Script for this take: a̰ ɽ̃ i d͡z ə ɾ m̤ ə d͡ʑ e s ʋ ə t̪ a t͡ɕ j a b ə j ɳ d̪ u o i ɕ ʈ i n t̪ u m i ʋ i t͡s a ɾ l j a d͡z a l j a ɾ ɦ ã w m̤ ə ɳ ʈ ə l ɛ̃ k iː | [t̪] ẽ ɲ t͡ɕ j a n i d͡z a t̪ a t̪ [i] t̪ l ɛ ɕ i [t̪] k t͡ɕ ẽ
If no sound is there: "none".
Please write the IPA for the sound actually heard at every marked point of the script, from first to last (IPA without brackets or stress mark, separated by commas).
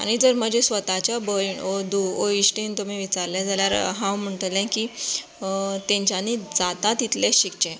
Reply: t̪, i, none